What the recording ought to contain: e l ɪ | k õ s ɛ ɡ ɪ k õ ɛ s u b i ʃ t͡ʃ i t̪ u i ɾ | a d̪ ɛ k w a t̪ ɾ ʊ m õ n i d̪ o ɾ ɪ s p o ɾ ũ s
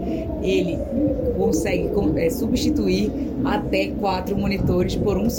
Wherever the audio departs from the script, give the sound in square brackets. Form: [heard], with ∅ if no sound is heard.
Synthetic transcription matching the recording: e l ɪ | k õ s ɛ ɡ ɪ k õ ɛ s u b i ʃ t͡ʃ i t̪ u i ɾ | a [t̪] ɛ k w a t̪ ɾ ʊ m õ n i [t̪] o ɾ ɪ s p o ɾ ũ s